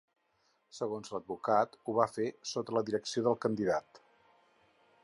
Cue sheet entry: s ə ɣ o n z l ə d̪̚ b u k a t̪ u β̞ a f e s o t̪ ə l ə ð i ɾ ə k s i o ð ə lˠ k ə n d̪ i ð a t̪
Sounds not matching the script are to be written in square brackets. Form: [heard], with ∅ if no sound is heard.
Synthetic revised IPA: s ə ɣ o n z l ə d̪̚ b u k a t̪ u β̞ a f e s o t̪ ə l ə ð i ɾ ə k s i o ð ə lˠ k ə n d̪ i ð a t̪